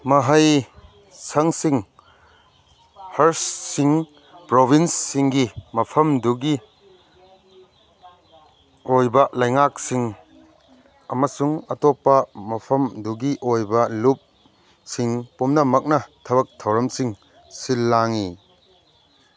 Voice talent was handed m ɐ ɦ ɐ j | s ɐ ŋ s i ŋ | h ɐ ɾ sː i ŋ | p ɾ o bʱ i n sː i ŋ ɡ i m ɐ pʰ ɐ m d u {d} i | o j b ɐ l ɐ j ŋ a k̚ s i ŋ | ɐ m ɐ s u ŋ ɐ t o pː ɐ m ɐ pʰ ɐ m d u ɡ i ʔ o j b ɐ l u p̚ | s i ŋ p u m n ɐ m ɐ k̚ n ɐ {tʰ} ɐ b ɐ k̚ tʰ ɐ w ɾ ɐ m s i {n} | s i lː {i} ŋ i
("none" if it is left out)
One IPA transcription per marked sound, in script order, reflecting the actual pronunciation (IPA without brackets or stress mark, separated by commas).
ɡ, tʰ, ŋ, a